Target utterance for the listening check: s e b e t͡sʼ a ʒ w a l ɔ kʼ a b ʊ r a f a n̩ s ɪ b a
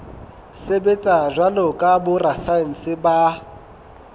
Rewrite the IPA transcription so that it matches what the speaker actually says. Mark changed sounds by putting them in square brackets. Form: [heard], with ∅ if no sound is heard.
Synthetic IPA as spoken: s e b e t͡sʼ a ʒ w a l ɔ kʼ a b ʊ r a [s] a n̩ s ɪ b a